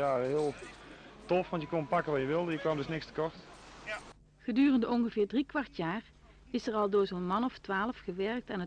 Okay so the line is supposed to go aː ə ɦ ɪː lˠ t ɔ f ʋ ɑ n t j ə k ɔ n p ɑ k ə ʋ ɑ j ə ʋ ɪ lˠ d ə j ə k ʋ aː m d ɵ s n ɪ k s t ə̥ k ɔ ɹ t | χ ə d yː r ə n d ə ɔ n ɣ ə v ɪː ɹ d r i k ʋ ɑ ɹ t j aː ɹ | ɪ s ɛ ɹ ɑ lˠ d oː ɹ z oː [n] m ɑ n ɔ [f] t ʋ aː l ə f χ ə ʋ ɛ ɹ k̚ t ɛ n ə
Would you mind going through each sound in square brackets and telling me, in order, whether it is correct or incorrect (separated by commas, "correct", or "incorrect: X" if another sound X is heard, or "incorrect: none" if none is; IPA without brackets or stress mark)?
correct, correct